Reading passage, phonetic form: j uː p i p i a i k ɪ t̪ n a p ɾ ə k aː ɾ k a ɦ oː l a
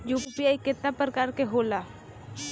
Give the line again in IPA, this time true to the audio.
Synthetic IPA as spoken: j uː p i p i a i k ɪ t̪ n a p ɾ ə k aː ɾ k e ɦ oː l a